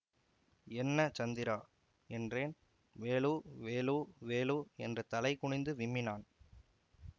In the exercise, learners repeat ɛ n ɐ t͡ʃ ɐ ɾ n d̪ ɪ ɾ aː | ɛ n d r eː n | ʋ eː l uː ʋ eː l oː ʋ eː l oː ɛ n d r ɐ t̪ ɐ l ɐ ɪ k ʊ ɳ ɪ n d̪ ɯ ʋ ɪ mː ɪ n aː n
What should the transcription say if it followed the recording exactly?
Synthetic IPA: ɛ nː ɐ t͡ʃ ɐ n d̪ ɪ ɾ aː | ɛ n d r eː n | ʋ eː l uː ʋ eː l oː ʋ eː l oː ɛ n d r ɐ t̪ ɐ l ɐ ɪ k ʊ ɳ ɪ n d̪ ɯ ʋ ɪ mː ɪ n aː n